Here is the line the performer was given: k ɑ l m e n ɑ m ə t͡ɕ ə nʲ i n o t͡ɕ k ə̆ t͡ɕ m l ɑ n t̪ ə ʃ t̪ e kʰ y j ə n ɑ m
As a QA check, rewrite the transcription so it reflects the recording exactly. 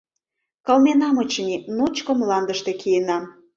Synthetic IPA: k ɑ l m e n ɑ m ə t͡ɕ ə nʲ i n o t͡ɕ k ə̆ m l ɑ n d̪ ə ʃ t̪ e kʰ i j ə n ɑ m